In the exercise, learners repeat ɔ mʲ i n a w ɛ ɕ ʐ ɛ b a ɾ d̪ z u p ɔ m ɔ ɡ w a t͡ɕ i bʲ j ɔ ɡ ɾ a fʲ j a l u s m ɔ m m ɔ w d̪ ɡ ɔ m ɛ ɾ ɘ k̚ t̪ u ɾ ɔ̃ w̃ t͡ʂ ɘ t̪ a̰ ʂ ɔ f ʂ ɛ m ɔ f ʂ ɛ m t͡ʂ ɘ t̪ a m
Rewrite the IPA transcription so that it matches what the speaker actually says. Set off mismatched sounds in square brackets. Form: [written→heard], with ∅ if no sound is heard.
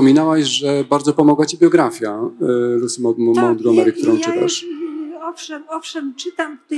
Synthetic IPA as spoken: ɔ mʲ i n a w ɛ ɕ ʐ ɛ b a ɾ d̪ z [u→ɔ] p ɔ m ɔ ɡ w a t͡ɕ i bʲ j ɔ ɡ ɾ a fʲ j a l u s m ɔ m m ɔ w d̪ ɡ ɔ m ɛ ɾ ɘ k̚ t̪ u ɾ ɔ̃ w̃ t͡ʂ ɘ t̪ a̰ ʂ ɔ f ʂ ɛ m ɔ f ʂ ɛ m t͡ʂ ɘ t̪ a m